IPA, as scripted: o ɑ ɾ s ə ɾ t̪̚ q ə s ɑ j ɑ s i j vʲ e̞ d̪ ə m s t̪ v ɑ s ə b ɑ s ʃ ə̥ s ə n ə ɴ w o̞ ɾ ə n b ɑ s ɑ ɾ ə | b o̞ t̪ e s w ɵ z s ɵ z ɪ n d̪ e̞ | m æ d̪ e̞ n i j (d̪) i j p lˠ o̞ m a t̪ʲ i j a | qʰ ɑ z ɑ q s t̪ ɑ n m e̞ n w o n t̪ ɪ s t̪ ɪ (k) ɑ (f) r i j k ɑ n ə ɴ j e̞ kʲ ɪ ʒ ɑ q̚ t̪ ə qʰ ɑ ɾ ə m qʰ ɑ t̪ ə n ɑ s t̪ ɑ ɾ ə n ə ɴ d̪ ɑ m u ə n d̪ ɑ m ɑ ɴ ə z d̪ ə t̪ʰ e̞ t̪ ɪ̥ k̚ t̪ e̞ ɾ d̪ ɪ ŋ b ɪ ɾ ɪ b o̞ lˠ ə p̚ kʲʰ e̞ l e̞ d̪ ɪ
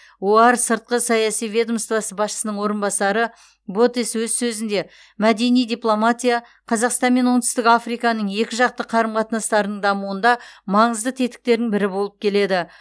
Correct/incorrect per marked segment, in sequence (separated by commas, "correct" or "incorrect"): correct, correct, correct